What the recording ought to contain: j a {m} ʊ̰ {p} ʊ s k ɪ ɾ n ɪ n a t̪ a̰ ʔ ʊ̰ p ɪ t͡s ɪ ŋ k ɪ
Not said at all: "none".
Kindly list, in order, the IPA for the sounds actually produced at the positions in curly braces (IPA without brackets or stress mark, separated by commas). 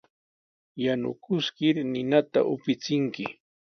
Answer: n, k